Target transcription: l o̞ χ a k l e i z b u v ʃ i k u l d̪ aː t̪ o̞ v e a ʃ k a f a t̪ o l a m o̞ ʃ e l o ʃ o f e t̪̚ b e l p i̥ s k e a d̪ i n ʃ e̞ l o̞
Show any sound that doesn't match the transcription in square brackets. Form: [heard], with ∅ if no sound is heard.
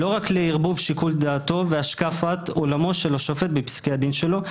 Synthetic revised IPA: l o̞ [ʁ] a k l e i [ʁ] b u v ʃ i k u l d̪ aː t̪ o̞ v e a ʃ k a f a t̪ o l a m o̞ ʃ e l o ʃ o f e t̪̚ b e [∅] p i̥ s k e a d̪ i n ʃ e̞ l o̞